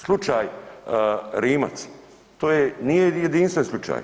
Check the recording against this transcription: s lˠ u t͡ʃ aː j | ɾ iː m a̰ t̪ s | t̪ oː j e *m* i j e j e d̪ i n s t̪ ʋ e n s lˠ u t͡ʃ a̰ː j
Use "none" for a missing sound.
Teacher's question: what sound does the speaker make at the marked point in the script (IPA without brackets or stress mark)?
n